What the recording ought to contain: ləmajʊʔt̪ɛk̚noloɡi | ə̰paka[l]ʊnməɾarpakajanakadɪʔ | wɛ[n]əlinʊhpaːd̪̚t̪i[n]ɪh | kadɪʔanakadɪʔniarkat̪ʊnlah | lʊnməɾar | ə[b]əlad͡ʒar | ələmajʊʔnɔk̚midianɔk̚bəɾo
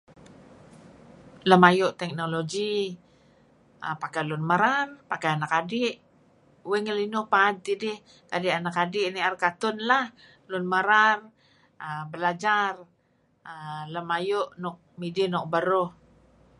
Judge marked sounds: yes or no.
yes, no, no, yes

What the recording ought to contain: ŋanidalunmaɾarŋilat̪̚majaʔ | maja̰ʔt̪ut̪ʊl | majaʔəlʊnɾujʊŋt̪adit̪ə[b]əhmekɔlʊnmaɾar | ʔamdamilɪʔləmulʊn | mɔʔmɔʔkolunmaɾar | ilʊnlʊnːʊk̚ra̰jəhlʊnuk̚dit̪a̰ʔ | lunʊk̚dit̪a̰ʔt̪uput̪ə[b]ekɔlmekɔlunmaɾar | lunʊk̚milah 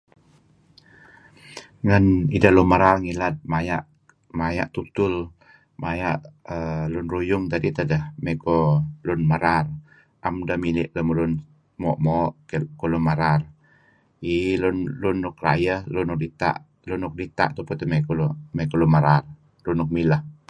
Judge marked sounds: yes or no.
no, no

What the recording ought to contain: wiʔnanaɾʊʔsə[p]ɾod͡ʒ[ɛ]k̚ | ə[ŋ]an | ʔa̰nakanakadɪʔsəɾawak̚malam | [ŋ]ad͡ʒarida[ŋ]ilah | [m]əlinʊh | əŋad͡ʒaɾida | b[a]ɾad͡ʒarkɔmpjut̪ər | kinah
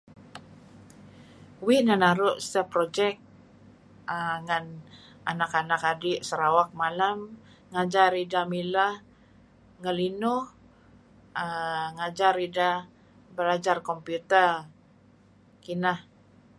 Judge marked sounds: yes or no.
yes, yes, yes, yes, no, no, no

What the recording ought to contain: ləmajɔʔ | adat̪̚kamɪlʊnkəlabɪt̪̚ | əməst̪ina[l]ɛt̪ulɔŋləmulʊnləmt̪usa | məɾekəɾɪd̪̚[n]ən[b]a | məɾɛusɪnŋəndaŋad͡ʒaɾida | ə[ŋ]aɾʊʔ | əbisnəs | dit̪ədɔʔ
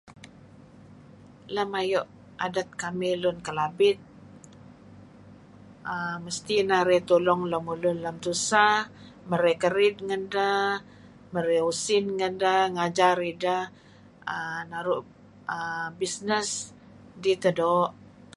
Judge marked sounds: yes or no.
no, no, no, no

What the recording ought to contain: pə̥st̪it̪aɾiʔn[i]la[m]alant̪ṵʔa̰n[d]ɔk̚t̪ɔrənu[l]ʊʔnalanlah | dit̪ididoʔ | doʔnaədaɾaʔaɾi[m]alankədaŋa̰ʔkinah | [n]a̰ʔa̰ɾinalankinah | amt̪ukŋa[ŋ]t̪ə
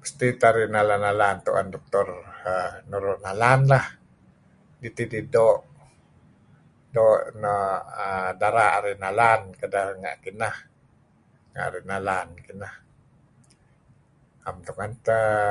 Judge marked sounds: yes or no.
no, no, yes, no, no, no, no

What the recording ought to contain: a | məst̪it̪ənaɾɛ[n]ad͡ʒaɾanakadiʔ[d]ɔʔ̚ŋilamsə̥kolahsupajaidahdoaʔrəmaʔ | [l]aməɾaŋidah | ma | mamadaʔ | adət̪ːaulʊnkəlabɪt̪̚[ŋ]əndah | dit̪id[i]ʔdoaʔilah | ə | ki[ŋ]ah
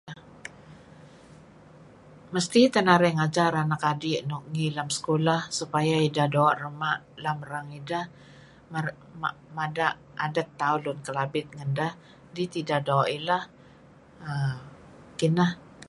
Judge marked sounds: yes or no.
no, no, yes, yes, no, no

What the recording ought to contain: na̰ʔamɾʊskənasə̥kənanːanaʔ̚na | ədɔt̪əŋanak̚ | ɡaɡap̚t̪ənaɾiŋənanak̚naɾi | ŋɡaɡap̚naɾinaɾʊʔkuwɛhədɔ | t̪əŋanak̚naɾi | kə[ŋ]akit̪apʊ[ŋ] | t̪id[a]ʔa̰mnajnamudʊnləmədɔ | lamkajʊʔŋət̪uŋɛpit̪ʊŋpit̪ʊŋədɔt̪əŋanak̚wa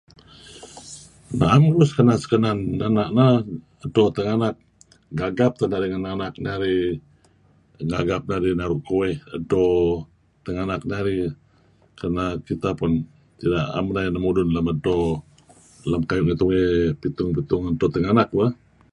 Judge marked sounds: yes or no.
no, no, yes

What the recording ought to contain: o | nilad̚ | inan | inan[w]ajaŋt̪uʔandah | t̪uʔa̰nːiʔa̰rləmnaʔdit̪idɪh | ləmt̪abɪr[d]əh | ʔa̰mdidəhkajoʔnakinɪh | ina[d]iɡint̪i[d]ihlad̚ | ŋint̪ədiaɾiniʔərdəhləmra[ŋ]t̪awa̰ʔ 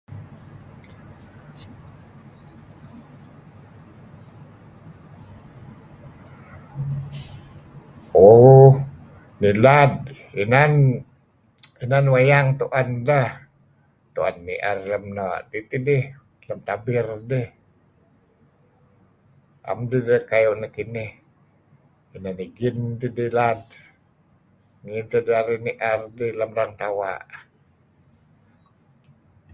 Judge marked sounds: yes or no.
yes, yes, no, yes, yes

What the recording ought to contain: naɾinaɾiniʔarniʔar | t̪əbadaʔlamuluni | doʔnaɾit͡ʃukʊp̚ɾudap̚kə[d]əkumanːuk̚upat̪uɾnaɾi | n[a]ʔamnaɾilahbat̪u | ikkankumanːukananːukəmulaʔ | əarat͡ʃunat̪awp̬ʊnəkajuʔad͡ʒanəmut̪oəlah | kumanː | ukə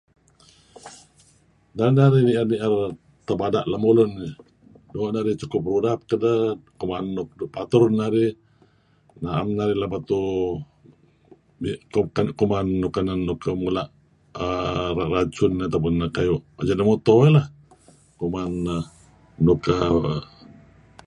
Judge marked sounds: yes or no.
yes, yes

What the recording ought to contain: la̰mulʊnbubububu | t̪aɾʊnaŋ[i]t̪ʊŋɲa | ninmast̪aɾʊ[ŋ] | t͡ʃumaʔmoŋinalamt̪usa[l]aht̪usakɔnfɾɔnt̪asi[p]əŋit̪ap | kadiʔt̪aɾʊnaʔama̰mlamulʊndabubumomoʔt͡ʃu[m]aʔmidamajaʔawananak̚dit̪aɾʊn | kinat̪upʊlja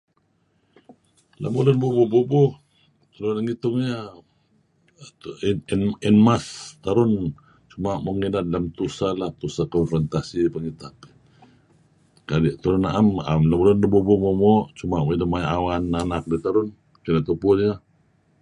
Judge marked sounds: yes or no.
yes, no, yes, yes, yes

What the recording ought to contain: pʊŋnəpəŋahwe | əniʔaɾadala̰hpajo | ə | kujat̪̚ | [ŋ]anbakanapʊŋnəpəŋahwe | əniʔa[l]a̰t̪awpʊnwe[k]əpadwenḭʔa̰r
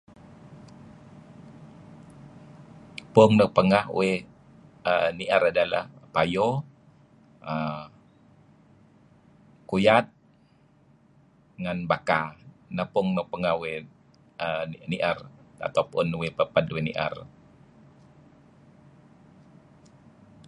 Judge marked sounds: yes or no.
yes, no, no

